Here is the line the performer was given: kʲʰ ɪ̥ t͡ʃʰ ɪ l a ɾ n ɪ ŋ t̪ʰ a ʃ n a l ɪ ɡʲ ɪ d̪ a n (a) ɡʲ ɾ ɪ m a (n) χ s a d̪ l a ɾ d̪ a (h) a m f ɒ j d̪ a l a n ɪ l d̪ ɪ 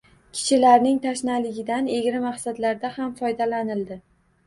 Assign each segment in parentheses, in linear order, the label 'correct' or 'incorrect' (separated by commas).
incorrect, incorrect, correct